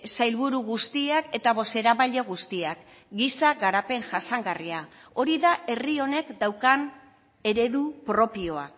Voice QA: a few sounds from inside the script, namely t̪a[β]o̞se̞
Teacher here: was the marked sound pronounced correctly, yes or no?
yes